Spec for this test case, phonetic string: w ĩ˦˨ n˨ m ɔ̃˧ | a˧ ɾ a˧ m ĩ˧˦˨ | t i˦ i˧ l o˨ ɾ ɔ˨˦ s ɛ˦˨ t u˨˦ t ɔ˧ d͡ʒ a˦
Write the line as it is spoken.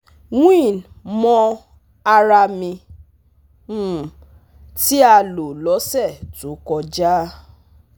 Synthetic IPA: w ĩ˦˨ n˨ m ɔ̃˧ | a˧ ɾ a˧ m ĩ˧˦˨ | t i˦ a˧ l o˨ l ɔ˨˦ s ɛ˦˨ t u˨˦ k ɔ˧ d͡ʒ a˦